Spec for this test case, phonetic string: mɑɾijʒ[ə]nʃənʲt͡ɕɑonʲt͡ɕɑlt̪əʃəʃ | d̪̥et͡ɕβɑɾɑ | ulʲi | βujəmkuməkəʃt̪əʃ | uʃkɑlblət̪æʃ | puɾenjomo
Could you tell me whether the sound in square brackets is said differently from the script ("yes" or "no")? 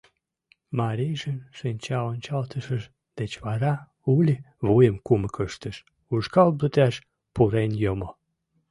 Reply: no